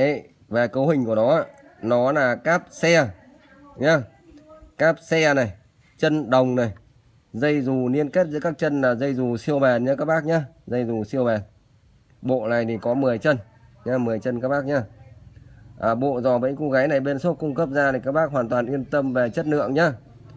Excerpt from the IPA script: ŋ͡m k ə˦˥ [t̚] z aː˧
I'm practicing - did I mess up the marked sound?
yes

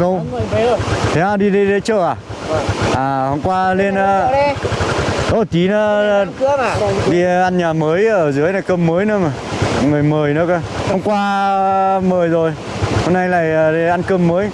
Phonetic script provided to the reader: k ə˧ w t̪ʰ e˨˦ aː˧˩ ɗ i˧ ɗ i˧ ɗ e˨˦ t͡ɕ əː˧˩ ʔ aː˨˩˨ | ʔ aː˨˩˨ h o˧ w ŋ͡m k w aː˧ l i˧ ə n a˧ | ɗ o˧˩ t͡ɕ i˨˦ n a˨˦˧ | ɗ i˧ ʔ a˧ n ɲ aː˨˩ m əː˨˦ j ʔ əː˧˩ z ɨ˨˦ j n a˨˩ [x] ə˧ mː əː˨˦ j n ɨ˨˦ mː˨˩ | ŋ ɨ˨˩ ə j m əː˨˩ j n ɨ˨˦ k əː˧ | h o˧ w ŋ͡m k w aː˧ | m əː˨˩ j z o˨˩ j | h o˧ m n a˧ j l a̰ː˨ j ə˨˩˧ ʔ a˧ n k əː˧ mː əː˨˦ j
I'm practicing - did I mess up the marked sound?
yes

